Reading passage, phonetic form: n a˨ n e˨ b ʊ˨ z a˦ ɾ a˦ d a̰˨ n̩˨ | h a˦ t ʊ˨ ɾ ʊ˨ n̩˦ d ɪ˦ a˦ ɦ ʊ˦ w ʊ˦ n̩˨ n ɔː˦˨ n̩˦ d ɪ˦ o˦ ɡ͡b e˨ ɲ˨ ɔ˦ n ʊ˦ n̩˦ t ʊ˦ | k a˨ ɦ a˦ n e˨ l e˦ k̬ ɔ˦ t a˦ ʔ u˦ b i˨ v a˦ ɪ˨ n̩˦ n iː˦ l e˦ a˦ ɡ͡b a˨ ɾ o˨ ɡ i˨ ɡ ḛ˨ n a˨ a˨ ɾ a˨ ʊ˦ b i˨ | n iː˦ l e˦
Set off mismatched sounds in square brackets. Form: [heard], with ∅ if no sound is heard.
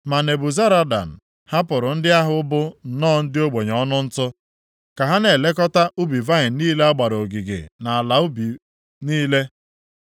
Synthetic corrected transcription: [m] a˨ n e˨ b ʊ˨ z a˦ ɾ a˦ d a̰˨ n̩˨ | h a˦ [p] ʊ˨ ɾ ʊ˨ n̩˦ d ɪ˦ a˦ ɦ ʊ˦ [b] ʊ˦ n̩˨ n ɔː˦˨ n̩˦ d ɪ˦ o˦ ɡ͡b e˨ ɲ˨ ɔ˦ n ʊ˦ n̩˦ t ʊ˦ | k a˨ ɦ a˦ n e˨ l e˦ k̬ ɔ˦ t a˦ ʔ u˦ b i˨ v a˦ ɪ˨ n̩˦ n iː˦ l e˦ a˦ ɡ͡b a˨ ɾ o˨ ɡ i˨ ɡ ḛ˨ n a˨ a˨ [l] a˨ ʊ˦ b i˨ | n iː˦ l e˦